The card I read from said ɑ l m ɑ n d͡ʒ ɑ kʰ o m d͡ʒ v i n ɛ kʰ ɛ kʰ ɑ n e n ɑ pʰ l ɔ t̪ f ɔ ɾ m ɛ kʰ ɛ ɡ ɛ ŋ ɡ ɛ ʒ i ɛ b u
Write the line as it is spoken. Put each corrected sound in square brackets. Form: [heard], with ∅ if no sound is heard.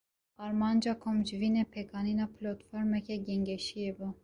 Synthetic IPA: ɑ [ɾ] m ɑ n d͡ʒ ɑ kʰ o m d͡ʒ v i n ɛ [pʰ] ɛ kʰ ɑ n [i] n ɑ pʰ l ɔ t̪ f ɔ ɾ m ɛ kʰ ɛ ɡ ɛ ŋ ɡ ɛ [ʃ] i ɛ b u